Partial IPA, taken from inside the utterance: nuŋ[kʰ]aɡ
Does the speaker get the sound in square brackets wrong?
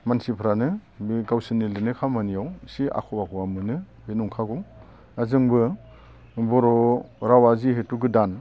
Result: no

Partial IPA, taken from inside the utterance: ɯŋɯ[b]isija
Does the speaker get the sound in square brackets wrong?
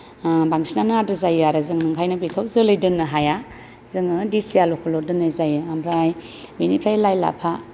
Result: yes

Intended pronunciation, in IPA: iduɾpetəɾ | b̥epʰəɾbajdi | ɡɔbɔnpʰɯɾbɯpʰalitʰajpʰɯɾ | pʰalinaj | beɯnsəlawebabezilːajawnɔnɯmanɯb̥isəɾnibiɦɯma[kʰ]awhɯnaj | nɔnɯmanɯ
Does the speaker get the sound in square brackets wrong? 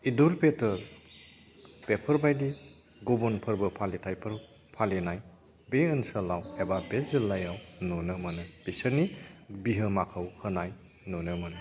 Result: no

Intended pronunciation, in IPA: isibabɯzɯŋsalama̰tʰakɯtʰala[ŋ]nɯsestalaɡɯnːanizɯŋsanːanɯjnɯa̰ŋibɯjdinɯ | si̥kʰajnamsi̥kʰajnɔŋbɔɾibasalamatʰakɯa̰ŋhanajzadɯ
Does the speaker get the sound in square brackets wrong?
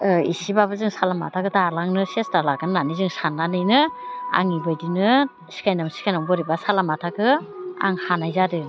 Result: no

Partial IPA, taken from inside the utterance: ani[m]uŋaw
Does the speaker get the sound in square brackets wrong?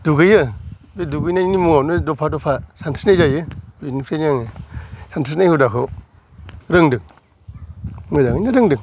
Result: no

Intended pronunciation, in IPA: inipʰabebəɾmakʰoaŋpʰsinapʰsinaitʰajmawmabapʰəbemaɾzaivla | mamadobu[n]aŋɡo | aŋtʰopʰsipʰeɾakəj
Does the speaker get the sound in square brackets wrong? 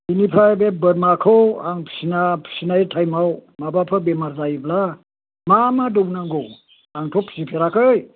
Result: no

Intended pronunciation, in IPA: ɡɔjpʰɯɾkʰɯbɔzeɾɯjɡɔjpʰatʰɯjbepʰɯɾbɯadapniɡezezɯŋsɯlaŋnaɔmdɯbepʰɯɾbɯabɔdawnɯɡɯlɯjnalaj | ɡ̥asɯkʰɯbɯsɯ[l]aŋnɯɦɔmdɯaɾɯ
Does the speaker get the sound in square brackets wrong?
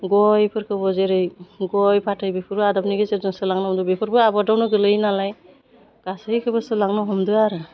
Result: no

